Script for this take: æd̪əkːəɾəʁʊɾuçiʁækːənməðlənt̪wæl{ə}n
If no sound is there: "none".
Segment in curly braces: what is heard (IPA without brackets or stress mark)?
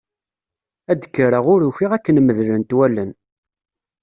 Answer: ə